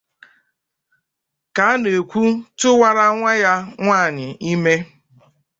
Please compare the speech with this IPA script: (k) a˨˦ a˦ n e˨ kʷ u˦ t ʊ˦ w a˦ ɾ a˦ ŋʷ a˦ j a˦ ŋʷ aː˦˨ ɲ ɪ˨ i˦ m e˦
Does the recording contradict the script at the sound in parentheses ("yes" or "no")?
no